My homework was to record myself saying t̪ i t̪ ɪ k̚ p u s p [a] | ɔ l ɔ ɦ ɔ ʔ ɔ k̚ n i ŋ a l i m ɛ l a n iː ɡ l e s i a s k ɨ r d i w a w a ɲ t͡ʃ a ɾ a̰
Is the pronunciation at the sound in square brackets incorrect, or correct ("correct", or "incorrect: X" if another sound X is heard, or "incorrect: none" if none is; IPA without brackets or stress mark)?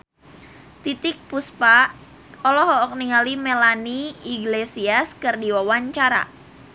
correct